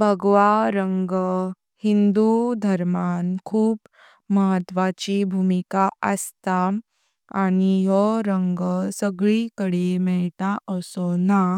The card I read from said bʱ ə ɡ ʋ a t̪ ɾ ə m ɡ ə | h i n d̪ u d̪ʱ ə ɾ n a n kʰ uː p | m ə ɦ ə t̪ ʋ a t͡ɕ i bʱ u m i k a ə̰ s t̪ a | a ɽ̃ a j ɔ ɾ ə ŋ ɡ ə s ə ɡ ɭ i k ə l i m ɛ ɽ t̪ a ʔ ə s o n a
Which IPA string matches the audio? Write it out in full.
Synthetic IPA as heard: bʱ ə ɡ ʋ a ɾ ə ŋ ɡ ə | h i n d̪ u d̪ʱ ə ɾ m a n kʰ uː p | m ə ɦ ə t̪ ʋ a t͡ɕ i bʱ u m i k a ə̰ s t̪ a | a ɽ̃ i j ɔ ɾ ə ŋ ɡ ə s ə ɡ ɭ i k ə ɽ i m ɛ ɭ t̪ a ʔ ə s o n a